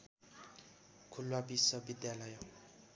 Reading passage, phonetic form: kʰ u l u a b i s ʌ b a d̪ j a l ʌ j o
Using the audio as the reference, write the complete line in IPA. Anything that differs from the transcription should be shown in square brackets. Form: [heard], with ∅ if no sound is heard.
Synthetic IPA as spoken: kʰ u l [w] a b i s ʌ b [i] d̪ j a l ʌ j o